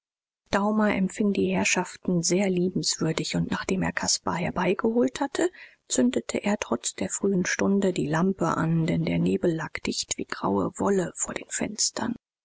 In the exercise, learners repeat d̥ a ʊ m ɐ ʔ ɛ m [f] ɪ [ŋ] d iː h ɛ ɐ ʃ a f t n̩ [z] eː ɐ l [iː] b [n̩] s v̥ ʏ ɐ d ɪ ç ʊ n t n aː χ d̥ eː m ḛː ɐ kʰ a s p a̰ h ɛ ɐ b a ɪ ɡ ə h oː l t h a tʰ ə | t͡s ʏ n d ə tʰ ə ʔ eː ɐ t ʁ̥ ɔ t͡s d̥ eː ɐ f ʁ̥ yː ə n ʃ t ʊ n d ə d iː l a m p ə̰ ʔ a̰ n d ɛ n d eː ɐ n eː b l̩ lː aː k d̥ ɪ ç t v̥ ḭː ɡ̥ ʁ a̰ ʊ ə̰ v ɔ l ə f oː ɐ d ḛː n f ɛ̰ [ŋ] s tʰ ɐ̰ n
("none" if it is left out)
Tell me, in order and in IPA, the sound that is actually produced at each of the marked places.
f, ŋ, z, iː, m̩, n

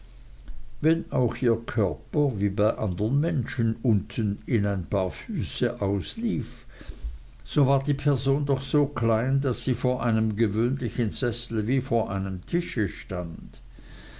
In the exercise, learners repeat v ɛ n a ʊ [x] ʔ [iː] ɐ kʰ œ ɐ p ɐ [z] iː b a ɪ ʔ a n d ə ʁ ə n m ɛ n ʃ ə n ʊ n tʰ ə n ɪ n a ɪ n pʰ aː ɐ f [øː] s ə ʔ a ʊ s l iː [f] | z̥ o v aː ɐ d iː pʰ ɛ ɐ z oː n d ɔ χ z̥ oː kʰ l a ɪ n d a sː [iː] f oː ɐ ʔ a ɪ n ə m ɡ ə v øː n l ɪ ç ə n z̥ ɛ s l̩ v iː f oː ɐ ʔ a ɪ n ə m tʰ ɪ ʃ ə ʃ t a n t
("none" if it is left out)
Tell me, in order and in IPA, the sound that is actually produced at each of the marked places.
x, iː, v, yː, f, iː

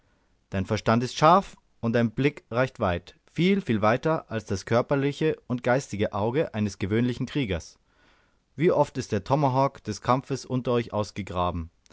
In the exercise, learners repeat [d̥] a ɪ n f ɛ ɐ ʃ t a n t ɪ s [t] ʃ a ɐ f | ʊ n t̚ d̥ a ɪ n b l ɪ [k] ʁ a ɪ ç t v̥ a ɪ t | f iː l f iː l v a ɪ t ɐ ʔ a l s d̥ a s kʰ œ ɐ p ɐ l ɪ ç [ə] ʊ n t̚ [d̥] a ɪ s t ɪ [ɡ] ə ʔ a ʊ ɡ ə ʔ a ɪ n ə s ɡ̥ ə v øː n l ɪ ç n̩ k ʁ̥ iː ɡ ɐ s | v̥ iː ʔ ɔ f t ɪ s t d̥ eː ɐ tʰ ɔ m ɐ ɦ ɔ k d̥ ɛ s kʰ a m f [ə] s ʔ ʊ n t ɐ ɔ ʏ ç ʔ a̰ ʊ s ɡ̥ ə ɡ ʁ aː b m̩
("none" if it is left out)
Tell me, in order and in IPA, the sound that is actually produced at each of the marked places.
d̥, t, k, ə, ɡ̥, ɡ, ə

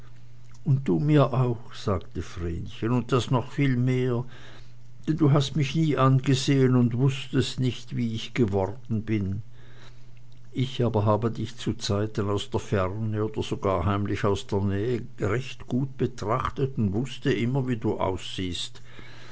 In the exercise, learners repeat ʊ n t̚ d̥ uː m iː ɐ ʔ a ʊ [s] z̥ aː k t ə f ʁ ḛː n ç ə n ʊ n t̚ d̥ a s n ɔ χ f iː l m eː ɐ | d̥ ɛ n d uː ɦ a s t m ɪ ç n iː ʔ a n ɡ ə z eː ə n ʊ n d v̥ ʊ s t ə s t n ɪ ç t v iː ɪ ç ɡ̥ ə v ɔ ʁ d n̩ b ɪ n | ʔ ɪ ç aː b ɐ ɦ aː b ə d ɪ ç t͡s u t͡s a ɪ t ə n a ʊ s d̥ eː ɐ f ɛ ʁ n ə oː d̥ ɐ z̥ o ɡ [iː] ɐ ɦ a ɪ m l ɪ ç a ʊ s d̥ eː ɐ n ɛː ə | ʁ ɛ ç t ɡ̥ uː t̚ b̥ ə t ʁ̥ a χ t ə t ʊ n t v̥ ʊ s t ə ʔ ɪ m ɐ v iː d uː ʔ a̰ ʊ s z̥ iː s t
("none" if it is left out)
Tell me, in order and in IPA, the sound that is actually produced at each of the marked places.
x, aː

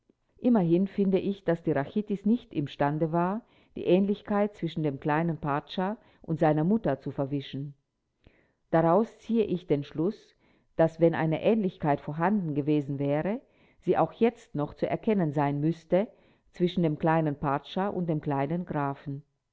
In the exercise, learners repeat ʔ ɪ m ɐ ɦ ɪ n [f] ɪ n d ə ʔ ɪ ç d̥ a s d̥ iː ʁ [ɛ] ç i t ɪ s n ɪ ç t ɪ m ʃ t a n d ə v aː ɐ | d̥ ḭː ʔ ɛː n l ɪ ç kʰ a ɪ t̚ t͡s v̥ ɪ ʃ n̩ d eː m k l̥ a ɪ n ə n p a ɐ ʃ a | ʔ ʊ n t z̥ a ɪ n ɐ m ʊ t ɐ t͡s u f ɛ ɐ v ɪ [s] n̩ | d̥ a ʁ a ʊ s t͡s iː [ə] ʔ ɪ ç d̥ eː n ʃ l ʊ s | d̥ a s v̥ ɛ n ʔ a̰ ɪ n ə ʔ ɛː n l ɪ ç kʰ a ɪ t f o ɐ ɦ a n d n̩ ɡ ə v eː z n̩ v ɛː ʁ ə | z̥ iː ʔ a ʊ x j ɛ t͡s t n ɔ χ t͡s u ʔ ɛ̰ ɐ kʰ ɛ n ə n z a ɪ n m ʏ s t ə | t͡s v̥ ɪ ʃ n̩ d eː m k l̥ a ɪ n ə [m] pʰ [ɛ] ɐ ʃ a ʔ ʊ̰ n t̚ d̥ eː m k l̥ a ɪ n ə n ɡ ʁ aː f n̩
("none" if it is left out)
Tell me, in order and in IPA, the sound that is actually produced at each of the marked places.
f, a, ʃ, ə, n, a

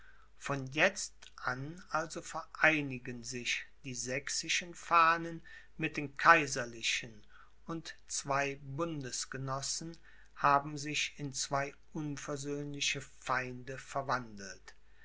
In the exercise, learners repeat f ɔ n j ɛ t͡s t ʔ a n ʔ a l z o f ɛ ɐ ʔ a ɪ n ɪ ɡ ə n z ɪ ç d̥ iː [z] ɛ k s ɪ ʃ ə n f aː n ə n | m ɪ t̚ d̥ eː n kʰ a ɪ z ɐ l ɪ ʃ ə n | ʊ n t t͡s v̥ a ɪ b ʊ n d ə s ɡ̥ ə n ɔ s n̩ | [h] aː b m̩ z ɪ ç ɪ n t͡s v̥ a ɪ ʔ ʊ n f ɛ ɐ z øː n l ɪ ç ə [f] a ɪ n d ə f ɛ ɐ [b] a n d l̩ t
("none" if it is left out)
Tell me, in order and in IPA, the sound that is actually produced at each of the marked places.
z, h, f, v

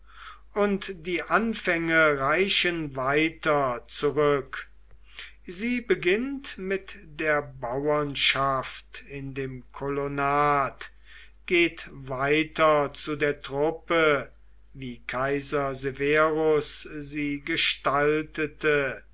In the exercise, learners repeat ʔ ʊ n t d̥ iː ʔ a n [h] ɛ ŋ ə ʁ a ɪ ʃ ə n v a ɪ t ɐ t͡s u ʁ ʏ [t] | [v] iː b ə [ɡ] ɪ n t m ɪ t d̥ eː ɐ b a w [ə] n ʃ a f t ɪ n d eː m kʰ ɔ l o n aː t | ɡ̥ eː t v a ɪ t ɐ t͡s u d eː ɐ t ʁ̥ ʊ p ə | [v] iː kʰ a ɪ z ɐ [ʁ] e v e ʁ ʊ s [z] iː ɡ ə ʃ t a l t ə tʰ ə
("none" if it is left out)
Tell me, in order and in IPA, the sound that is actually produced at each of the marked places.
f, k, z, ɡ, ɐ, v, z, z

